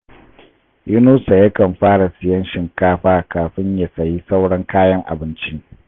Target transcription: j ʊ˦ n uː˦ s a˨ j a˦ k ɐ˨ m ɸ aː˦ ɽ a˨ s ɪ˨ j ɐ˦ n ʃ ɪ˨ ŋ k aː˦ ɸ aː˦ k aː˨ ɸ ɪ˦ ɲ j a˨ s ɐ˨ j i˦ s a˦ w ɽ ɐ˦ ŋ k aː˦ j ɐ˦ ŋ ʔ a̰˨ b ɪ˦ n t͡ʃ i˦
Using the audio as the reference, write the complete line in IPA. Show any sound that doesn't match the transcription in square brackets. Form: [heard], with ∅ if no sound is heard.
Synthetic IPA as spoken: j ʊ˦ n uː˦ s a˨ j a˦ k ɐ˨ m ɸ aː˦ ɽ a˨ s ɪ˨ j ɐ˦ n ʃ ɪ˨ ŋ k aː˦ ɸ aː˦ k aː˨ ɸ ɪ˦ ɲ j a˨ s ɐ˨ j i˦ s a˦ w ɽ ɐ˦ ŋ k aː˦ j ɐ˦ ŋ ʔ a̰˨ b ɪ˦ n t͡ʃ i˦